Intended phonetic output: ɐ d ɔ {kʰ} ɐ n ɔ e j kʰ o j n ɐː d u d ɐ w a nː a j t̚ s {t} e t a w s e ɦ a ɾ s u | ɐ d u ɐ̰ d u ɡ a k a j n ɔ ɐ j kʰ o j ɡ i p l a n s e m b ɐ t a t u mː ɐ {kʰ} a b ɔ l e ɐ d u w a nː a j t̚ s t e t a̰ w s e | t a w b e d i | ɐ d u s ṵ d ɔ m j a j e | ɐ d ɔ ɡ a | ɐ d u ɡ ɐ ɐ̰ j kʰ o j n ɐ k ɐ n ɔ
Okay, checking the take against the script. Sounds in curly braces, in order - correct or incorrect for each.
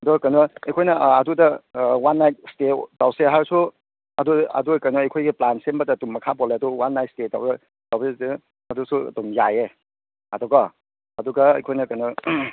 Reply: incorrect: k, correct, correct

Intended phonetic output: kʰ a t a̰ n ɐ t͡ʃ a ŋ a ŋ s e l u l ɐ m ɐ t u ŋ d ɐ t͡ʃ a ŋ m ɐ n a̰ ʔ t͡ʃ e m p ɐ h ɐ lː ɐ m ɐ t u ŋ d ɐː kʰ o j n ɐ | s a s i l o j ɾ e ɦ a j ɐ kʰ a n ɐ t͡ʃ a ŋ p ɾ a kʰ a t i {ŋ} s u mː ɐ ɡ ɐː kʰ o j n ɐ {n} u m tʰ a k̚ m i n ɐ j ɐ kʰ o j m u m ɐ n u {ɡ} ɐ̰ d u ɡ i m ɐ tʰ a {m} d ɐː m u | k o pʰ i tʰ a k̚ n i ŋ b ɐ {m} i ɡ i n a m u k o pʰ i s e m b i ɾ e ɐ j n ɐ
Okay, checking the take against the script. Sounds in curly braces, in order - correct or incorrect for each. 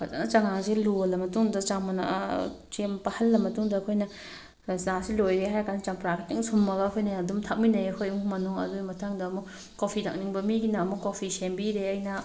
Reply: correct, incorrect: d, incorrect: ŋ, incorrect: ŋ, correct

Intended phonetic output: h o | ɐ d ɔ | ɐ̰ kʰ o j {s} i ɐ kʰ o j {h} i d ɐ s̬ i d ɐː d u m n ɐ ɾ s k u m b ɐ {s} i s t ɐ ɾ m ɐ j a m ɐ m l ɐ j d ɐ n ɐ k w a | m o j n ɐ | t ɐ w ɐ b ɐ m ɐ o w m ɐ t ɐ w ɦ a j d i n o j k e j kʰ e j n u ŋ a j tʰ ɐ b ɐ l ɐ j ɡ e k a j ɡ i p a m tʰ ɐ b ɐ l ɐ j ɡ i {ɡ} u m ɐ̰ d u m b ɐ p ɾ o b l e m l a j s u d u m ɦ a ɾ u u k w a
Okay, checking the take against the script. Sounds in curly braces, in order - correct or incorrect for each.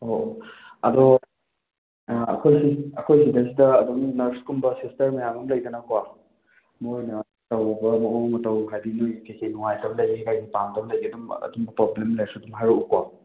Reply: correct, incorrect: s, correct, incorrect: d

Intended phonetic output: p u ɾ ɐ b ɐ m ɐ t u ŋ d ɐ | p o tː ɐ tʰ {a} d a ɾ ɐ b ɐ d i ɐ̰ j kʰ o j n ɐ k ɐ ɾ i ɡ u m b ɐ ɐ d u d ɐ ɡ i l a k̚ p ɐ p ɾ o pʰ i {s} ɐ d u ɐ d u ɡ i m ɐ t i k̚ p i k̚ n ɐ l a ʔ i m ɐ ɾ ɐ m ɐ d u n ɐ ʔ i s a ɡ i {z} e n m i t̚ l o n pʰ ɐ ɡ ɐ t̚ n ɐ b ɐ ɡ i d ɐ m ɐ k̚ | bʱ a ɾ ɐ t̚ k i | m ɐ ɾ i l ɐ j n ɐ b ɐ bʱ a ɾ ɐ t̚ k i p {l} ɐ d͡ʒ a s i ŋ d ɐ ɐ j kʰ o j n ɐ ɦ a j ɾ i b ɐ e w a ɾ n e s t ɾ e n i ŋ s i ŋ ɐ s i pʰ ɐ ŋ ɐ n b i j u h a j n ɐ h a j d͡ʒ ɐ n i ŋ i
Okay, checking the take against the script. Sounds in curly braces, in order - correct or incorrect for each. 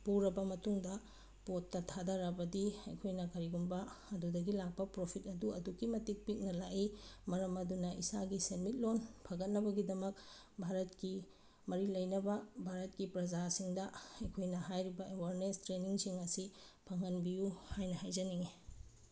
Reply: correct, incorrect: t, incorrect: s, incorrect: ɾ

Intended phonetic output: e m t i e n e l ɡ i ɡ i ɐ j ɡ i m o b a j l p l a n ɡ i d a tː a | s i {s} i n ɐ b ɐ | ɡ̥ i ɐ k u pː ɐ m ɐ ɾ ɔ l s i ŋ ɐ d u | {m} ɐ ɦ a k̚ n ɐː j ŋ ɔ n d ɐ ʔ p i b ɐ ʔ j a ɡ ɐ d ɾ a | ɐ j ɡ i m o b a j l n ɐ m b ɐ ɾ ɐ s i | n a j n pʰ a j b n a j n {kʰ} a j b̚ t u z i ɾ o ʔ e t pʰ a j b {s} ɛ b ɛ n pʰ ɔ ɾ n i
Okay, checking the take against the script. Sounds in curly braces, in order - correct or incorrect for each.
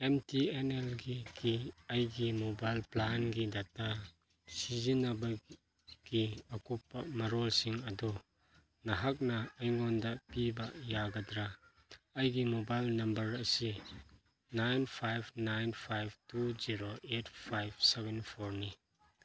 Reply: incorrect: z, incorrect: n, incorrect: pʰ, correct

